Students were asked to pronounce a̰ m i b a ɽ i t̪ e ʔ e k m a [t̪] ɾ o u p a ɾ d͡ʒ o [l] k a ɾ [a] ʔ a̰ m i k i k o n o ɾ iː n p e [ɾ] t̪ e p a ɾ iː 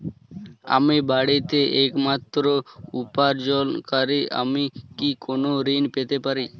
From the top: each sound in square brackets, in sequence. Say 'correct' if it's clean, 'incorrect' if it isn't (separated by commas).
correct, correct, incorrect, incorrect